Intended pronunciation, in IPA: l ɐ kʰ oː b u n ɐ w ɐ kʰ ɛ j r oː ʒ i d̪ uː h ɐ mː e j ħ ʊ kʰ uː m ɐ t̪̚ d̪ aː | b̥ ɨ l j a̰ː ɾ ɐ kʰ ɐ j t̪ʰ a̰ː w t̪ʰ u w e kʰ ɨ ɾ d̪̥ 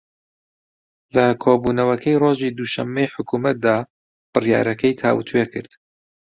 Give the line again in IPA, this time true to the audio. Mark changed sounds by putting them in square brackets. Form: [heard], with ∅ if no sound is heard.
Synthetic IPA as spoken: l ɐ kʰ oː b u n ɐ w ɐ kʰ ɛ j r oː ʒ i d̪ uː [ʃ] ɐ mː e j ħ ʊ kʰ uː m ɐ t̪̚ d̪ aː | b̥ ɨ [r] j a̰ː ɾ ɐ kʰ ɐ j t̪ʰ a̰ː w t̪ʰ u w e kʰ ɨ ɾ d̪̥